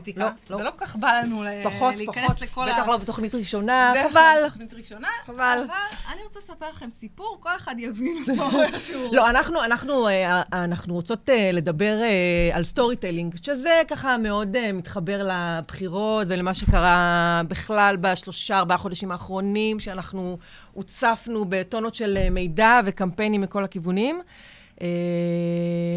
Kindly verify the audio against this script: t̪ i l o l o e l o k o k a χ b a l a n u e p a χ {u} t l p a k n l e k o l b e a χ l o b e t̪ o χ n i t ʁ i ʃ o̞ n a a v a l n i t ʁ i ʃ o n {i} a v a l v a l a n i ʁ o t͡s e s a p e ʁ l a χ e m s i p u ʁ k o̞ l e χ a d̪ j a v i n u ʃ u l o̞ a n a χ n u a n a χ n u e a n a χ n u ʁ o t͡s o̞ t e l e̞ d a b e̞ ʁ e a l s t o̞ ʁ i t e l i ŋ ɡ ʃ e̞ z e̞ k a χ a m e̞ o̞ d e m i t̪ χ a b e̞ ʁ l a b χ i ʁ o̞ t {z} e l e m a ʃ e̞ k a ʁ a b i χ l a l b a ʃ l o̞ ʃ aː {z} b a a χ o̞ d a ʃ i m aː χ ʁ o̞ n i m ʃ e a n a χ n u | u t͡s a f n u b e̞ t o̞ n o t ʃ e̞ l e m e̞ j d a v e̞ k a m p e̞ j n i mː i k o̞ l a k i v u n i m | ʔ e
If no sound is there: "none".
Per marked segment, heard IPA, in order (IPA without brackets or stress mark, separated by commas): o, a, v, ʁ